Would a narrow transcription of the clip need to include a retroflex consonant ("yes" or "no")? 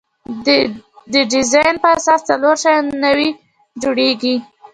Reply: yes